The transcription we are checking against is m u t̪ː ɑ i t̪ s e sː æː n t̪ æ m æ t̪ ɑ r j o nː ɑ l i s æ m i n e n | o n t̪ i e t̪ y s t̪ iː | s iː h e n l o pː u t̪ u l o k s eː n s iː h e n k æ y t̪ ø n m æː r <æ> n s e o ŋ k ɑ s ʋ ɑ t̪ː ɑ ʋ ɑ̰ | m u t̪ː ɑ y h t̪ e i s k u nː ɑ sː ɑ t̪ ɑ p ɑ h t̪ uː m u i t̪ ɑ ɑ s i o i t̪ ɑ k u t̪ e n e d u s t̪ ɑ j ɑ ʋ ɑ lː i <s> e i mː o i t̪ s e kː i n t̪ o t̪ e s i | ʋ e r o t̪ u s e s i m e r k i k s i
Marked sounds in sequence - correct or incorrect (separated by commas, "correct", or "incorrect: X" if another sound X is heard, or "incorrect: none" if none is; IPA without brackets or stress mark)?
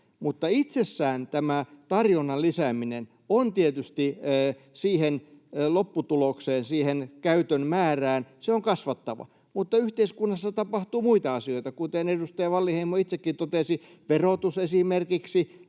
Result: incorrect: æː, incorrect: h